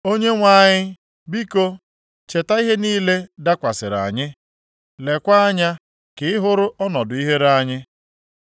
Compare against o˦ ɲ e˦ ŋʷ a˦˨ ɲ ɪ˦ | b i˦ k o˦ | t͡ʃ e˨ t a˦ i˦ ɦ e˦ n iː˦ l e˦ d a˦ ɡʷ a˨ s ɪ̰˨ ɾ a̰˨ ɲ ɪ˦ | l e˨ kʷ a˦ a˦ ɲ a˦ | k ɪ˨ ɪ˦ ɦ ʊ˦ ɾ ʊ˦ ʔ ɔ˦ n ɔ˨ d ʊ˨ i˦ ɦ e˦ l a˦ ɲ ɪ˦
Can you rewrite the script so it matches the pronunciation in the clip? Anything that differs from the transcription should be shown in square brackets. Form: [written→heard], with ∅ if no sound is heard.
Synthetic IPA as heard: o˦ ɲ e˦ ŋʷ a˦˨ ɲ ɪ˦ | b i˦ k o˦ | t͡ʃ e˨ t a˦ i˦ ɦ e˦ n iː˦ l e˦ d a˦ [ɡʷ→kʷ] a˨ s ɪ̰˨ ɾ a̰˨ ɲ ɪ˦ | l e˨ kʷ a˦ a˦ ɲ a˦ | k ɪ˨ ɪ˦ ɦ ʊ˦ ɾ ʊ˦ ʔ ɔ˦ n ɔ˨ d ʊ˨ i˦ ɦ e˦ [l→ɾ] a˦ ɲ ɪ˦